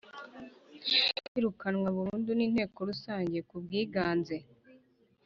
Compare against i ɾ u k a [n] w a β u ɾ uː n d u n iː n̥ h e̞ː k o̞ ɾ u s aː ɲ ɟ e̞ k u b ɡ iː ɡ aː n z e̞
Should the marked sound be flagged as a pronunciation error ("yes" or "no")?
no